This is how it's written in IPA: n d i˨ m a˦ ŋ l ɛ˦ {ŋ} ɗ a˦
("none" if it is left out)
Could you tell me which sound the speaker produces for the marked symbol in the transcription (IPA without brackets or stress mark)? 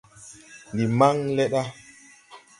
none